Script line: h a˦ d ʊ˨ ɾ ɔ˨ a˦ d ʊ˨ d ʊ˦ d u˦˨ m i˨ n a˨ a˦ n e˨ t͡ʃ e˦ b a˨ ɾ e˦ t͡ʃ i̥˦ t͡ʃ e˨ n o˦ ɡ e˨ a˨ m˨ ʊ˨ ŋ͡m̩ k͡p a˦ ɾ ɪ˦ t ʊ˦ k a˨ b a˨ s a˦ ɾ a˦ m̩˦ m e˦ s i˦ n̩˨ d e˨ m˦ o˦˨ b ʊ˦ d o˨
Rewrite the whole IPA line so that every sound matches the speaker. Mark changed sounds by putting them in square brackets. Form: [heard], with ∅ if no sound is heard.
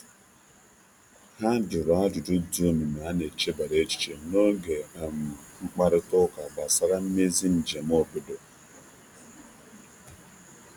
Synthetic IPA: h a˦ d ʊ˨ ɾ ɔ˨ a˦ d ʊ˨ d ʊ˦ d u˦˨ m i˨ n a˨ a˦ n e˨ t͡ʃ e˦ b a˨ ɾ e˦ t͡ʃ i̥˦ t͡ʃ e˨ n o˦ ɡ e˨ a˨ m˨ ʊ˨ ŋ͡m̩ k͡p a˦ ɾ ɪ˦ t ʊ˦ k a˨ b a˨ s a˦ ɾ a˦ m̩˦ m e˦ [z] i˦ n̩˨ [d͡ʒ] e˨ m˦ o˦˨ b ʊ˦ d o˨